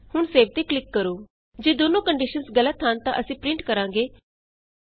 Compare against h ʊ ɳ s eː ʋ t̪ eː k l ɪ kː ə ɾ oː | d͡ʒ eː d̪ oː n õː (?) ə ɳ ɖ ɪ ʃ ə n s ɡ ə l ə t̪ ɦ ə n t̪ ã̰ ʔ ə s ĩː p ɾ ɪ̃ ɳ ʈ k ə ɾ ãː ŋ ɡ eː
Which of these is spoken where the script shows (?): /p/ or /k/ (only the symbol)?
k